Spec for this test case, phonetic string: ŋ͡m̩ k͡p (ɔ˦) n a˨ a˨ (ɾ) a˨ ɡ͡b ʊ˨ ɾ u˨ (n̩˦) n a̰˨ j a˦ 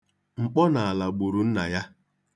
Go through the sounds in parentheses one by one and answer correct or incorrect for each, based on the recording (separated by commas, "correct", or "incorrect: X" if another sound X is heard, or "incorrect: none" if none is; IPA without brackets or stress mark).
correct, incorrect: l, correct